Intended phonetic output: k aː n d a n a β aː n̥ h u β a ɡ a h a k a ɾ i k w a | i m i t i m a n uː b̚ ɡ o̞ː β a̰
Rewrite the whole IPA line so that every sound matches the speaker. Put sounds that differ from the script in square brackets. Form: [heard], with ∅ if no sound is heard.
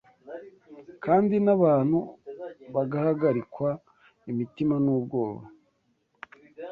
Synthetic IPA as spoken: k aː n d [i] n a β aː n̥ h u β a ɡ a h a [ɡ] a ɾ i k w a | i m i t i m a n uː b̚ ɡ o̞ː β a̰

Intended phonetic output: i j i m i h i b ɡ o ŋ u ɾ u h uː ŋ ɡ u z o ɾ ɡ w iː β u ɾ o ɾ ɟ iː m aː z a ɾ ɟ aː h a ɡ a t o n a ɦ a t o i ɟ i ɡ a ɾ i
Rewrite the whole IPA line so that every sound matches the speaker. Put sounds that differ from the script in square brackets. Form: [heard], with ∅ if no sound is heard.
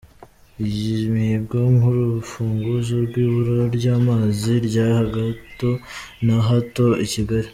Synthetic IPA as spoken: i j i m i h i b ɡ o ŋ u ɾ u [f] uː ŋ ɡ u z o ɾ ɡ w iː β u ɾ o ɾ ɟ [aː] m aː z [i] ɾ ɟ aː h a ɡ a t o n a ɦ a t o i [c] i ɡ a ɾ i

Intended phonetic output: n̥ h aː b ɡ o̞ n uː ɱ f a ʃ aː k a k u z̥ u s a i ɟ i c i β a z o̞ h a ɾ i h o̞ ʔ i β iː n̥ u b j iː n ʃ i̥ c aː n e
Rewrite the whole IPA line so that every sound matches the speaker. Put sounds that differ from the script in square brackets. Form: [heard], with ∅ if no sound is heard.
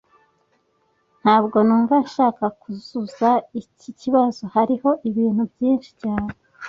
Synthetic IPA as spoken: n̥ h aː b ɡ o̞ n uː ɱ [v] a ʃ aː k a k u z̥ u [z] a i [c] i c i β a z o̞ h a ɾ i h o̞ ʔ i β iː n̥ u b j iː n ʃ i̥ c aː n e

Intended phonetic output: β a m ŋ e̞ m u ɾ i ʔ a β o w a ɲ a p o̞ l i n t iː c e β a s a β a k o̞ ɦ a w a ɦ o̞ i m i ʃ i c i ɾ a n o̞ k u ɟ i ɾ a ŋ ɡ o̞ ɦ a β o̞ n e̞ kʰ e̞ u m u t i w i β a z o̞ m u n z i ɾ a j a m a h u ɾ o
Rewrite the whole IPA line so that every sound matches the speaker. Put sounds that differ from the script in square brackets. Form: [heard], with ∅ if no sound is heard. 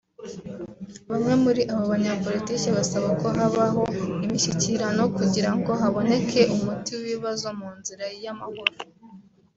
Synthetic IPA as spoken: β a m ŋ e̞ m u ɾ i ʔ a β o [β] a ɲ a p o̞ l i [∅] t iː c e β a s a β a k o̞ ɦ a [β] a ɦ o̞ i m i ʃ i c i ɾ a n o̞ k u ɟ i ɾ a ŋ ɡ o̞ ɦ a β o̞ n e̞ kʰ e̞ u m u t i w i β a z o̞ m [uː] n z i ɾ a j a m a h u ɾ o

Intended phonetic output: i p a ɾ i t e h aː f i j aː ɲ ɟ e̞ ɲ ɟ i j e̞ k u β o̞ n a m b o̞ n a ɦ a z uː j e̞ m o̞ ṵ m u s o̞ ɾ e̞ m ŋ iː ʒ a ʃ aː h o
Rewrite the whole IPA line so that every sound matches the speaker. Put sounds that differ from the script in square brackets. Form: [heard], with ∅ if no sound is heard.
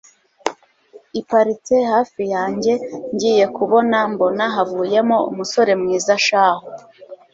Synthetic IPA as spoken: i p a ɾ i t e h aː f i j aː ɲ ɟ e̞ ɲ ɟ i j e̞ k u β o̞ n a m b o̞ n a ɦ a [v] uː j e̞ m o̞ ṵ m u s o̞ ɾ e̞ m ŋ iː [z] a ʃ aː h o

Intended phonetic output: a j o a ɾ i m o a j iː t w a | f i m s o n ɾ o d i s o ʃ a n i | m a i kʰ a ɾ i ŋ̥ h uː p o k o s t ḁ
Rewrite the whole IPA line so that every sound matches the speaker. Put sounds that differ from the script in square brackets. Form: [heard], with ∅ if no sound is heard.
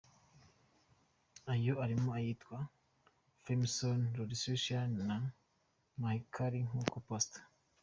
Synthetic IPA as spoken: a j o a ɾ i m o a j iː t w a | f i m s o n ɾ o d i s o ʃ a n [a] | m a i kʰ a ɾ i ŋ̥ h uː [k] o [p] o s t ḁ

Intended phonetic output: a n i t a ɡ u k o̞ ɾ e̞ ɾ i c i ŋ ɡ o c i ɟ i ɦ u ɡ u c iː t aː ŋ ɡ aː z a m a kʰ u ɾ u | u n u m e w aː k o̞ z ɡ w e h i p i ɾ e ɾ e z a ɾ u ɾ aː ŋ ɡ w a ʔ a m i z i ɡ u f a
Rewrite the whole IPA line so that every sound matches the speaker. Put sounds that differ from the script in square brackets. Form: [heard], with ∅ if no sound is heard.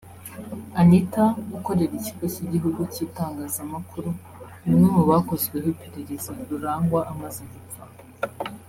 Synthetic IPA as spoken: a n i t a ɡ u k o̞ ɾ e̞ ɾ i c i [∅] ɡ o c i ɟ i ɦ u ɡ u c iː t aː ŋ ɡ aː z a m a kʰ u ɾ u | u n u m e w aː k o̞ z ɡ w e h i p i ɾ e ɾ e z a ɾ u ɾ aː ŋ ɡ w a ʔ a m [a] z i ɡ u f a

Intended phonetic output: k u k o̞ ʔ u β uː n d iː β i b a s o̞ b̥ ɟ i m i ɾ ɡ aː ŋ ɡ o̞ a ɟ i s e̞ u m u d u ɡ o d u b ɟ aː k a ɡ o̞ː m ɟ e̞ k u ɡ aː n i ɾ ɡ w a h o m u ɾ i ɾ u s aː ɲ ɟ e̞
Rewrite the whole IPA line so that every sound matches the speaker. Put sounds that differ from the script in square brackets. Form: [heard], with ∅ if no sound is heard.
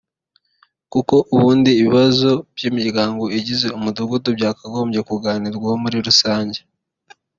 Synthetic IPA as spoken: k u k o̞ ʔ u β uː n d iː β i [β] a [z] o̞ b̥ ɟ i m i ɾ ɡ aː ŋ ɡ o̞ [i] ɟ i [z] e̞ u m u d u ɡ [u] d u b ɟ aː k a ɡ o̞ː m ɟ e̞ k u ɡ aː n i ɾ ɡ w a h o m u ɾ i ɾ u s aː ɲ ɟ e̞

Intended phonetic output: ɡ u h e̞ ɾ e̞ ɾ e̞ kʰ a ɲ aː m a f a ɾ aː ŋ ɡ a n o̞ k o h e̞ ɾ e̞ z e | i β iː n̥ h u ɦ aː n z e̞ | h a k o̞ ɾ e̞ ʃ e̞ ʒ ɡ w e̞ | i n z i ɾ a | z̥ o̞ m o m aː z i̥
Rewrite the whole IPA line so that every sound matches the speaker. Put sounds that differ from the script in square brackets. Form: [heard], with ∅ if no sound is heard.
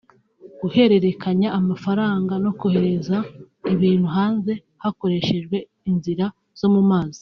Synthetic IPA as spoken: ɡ u h e̞ ɾ e̞ ɾ e̞ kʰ a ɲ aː m a f a ɾ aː ŋ ɡ a n o̞ k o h e̞ ɾ e̞ z [a] | i β iː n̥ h u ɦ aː n z e̞ | h a k o̞ ɾ e̞ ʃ e̞ ʒ ɡ w e̞ | i n z i ɾ a | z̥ o̞ m [u] m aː z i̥

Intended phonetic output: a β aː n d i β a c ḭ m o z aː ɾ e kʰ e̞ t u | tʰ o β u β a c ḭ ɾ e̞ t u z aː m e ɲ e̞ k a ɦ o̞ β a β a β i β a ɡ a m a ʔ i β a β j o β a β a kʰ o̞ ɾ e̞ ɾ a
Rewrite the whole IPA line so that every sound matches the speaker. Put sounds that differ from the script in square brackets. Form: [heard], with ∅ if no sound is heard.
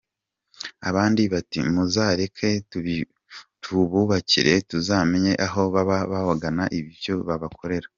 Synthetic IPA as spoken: a β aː n d i β a [t] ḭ m [u] z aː ɾ e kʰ e̞ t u | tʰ [u] β u β a c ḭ ɾ e̞ t u z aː m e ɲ e̞ [ʔ] a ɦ o̞ β a β a β [a] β a ɡ a [n] a ʔ i β [i] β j o β a β a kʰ o̞ ɾ e̞ ɾ a

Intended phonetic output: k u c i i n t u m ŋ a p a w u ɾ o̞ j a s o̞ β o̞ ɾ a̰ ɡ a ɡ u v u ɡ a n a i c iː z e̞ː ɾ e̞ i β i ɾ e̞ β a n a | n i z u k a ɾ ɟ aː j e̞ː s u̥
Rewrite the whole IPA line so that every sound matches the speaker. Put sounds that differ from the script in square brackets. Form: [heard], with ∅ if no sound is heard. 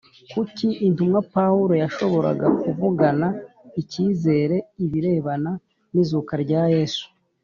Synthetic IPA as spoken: k u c i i n t u m ŋ a p a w u ɾ o̞ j a [ʃ] o̞ β o̞ ɾ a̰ ɡ a [k] u v u ɡ a n a i c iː z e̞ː ɾ e̞ i β i ɾ e̞ β a n a | n i z u k a ɾ ɟ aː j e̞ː s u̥

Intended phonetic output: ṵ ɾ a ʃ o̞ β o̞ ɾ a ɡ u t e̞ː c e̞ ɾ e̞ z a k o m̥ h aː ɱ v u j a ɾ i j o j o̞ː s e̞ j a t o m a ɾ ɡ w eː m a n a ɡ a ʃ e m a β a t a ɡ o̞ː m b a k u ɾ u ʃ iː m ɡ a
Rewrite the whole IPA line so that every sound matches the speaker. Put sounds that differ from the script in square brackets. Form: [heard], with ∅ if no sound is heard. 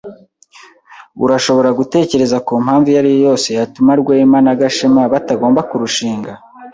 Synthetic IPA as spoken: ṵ ɾ a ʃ o̞ β o̞ ɾ a ɡ u t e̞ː c e̞ ɾ e̞ z a k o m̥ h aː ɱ v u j a ɾ i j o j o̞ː s e̞ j a t [u] m a ɾ ɡ w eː m a n a ɡ a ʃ e m a β a t a ɡ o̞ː m b a k u ɾ u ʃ iː [ŋ] ɡ a

